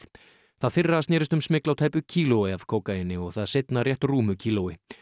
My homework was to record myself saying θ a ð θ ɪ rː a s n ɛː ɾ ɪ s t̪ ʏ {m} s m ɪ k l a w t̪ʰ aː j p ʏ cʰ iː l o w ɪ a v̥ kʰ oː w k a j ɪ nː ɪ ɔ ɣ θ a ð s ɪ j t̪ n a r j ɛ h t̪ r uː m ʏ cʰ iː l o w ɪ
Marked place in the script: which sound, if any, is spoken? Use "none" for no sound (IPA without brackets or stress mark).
m